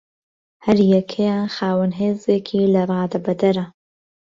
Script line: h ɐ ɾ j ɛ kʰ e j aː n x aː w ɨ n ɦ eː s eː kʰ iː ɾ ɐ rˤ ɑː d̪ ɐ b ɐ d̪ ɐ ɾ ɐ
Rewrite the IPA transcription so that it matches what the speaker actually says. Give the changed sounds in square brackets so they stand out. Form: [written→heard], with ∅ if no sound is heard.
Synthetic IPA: h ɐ ɾ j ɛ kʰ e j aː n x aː w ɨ n ɦ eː [s→z] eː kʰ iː [ɾ→l] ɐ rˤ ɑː d̪ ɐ b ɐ d̪ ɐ ɾ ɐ